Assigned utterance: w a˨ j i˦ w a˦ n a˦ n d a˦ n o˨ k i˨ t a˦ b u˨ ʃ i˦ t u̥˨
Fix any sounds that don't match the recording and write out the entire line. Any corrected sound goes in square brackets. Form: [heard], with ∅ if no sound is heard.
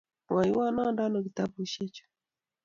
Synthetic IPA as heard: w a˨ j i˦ w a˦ n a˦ n d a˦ n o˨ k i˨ t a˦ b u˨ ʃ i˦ [t͡ʃ] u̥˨